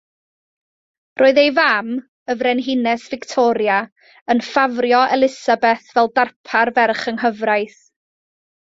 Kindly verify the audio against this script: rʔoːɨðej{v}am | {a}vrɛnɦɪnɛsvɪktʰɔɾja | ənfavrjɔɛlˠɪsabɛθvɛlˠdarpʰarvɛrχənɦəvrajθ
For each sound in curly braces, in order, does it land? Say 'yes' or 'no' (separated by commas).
yes, no